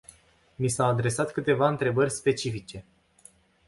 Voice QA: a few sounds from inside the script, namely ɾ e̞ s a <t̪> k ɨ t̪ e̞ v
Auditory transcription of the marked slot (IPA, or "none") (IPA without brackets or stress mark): t̪